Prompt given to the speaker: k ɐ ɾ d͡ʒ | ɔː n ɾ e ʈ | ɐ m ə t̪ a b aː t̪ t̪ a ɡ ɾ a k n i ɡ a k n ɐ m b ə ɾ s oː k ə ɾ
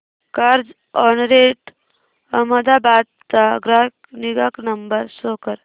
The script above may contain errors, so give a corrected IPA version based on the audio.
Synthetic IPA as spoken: k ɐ ɾ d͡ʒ | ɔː n ɾ e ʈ | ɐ m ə d̪ a b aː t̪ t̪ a ɡ ɾ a k n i ɡ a k n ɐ m b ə ɾ s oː k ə ɾ